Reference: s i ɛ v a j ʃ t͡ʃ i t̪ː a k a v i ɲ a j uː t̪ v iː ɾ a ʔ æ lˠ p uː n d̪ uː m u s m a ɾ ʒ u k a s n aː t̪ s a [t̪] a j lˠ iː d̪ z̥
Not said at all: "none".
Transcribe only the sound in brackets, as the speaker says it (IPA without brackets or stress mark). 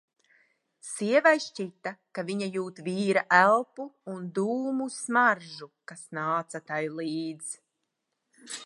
t̪